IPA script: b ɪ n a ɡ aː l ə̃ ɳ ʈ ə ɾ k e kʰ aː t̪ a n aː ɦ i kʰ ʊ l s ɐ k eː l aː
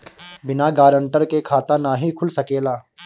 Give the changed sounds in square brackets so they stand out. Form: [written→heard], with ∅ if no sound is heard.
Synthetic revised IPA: b ɪ n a ɡ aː [l→ɾ] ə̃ ɳ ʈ ə ɾ k e kʰ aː t̪ a n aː ɦ i kʰ ʊ l s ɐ k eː l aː